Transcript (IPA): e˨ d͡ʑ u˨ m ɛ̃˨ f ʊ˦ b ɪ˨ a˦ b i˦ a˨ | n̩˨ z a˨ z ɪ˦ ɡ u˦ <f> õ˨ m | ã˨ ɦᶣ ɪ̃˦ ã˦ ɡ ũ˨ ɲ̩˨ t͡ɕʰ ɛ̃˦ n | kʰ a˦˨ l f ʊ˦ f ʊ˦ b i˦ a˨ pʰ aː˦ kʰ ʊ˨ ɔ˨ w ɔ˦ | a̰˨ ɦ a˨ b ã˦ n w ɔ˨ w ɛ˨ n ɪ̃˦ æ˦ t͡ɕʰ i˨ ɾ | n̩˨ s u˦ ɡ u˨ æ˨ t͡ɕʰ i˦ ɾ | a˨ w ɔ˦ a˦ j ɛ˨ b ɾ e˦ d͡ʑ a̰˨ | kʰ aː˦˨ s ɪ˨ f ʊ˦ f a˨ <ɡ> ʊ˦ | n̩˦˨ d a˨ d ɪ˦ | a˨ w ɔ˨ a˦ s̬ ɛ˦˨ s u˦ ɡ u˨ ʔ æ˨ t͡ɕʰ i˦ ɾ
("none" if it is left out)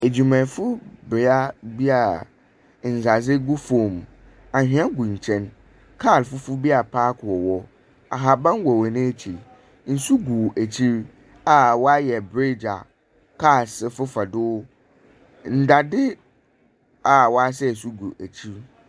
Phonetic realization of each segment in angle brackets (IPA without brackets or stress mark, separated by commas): f, d